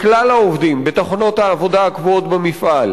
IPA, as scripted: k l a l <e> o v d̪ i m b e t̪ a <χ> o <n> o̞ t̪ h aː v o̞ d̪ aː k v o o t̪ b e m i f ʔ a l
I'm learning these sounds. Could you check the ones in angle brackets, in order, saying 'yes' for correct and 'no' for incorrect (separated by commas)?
no, yes, yes